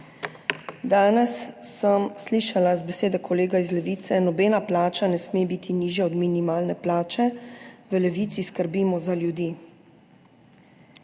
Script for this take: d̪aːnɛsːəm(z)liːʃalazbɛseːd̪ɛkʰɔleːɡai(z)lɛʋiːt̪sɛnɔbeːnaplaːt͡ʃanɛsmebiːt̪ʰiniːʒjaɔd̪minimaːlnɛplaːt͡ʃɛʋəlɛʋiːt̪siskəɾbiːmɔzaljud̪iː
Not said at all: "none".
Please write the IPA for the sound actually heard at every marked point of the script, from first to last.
s, z

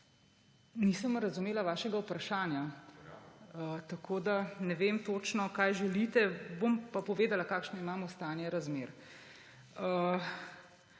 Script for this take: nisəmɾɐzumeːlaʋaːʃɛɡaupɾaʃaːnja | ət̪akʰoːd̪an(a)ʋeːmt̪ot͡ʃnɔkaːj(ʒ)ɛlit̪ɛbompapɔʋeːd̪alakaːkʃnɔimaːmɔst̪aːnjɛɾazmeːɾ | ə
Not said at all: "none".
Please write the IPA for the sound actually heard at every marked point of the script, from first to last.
ɛ, ʒ

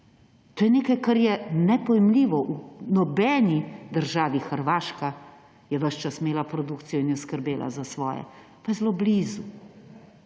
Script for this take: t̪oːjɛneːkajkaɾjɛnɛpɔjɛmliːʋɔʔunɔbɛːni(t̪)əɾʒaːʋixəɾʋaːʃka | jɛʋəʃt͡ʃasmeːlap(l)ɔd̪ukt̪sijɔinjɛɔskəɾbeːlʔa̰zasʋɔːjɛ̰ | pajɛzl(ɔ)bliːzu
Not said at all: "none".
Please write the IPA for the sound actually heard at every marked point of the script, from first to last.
d̪, ɾ, o

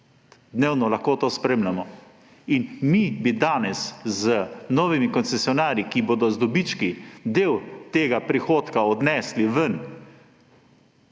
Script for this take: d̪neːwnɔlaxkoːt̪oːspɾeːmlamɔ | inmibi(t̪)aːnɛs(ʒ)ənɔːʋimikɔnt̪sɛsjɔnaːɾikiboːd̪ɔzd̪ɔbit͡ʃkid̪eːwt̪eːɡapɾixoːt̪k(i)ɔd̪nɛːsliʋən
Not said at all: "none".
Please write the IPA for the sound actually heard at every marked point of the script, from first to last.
d̪, z, a

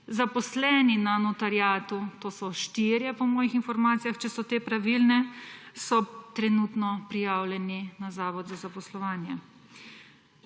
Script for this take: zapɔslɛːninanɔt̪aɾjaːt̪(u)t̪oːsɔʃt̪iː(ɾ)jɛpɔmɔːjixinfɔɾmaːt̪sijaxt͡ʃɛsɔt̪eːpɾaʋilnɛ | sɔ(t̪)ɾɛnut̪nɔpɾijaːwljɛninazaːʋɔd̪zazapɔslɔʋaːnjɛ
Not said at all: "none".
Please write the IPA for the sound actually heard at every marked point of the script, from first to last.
u, ɾ, t̪

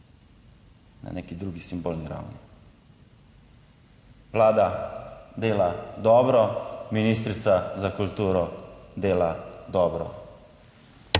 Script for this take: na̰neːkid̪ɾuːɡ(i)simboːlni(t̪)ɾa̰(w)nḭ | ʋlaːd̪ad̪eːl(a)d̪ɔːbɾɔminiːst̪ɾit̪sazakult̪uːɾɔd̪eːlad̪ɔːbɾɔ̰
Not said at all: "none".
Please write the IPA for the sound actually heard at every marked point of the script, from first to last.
i, none, w, a

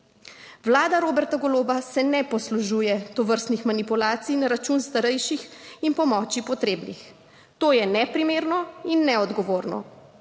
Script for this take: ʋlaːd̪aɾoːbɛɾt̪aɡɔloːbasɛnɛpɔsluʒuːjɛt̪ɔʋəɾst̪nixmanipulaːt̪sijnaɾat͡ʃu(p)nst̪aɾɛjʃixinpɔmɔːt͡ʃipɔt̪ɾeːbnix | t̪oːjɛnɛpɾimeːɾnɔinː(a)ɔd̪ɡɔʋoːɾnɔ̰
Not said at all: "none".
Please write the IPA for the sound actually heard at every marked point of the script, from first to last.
none, ɛ

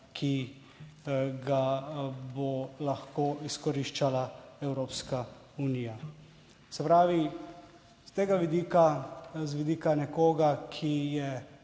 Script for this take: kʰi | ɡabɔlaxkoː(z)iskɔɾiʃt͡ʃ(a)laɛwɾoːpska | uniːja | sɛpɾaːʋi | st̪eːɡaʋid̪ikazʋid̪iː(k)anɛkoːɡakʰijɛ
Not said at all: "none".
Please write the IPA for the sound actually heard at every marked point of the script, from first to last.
none, a, k

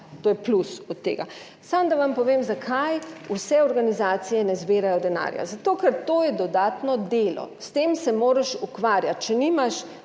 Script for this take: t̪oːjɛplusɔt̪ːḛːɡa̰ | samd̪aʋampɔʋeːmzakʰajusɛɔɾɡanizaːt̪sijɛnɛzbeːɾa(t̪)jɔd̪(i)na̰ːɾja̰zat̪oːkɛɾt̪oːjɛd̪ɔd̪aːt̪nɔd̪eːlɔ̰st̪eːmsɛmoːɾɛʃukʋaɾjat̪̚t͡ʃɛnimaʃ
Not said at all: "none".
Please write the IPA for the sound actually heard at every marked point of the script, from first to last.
none, ɛ

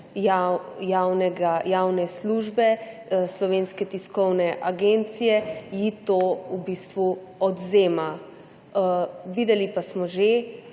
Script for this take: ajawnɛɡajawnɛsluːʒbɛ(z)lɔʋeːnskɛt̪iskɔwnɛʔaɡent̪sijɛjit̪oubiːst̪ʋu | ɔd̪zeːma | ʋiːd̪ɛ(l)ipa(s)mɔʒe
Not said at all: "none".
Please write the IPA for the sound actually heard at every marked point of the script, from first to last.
s, l, s

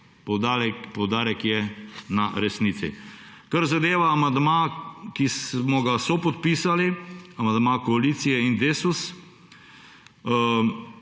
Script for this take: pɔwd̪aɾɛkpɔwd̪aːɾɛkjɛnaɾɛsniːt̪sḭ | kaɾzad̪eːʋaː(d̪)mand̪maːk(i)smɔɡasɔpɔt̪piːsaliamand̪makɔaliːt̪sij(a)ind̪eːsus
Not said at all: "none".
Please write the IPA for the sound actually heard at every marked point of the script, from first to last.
none, i, ɛ

